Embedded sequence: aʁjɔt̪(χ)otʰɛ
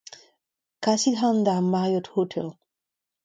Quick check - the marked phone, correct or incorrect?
incorrect